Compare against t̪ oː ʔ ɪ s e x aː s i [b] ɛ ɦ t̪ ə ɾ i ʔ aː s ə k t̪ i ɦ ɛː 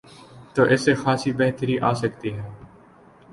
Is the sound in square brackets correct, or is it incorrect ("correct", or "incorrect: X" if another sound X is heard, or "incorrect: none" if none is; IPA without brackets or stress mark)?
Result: correct